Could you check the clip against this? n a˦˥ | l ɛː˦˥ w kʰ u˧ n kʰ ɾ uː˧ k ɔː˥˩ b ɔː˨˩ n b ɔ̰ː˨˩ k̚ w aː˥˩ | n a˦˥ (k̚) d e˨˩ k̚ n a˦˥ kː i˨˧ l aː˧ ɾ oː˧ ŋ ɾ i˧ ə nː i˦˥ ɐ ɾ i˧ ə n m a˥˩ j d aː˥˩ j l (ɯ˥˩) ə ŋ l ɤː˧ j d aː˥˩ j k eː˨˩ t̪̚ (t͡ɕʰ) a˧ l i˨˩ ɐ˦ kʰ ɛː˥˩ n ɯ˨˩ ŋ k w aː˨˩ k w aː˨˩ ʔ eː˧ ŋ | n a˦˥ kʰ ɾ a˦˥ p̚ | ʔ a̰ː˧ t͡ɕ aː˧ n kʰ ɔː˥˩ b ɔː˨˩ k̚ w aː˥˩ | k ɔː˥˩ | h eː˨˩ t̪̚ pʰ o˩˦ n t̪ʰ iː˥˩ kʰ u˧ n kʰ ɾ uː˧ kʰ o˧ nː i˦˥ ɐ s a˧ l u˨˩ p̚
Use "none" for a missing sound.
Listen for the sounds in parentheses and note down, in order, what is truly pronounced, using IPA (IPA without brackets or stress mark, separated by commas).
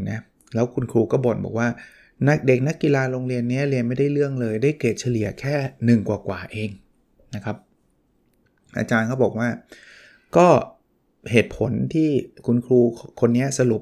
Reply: k̚, ɯ˥˩, t͡ɕʰ